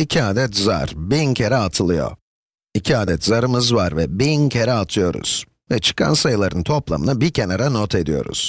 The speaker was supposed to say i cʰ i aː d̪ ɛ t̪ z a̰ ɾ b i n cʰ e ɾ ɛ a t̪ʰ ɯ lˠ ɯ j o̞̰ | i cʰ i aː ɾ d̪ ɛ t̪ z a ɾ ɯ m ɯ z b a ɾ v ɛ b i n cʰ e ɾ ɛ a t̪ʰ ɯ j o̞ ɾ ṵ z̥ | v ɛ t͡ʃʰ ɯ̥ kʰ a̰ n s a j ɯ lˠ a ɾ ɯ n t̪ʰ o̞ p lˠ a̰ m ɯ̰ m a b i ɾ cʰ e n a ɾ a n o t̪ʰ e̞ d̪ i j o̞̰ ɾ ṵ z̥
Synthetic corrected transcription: i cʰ i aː d̪ ɛ t̪ z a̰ ɾ b i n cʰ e ɾ ɛ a t̪ʰ ɯ lˠ ɯ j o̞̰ | i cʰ i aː d̪ ɛ t̪ z a ɾ ɯ m ɯ z v a ɾ v ɛ b i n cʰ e ɾ ɛ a t̪ʰ ɯ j o̞ ɾ ṵ z̥ | v ɛ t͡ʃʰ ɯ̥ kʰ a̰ n s a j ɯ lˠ a ɾ ɯ n t̪ʰ o̞ p lˠ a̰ m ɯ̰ n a b i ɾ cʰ e n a ɾ a n o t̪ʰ e̞ d̪ i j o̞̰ ɾ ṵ z̥